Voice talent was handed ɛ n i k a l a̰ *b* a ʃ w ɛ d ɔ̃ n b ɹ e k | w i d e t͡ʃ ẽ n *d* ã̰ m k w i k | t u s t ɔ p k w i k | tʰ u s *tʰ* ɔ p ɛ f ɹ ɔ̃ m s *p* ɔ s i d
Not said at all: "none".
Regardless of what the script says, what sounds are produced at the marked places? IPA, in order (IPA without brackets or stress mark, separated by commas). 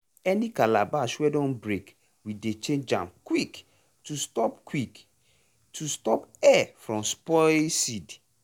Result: b, d͡ʒ, t, p